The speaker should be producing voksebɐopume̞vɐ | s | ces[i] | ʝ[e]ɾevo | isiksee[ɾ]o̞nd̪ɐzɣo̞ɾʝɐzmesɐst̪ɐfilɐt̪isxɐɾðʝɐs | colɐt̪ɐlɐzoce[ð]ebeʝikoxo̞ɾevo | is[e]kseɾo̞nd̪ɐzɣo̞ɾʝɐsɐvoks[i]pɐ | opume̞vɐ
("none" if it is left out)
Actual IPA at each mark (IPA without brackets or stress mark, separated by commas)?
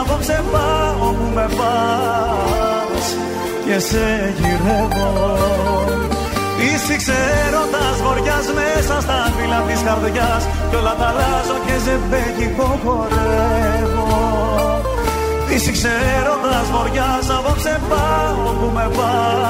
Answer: e, i, ɾ, z, i, e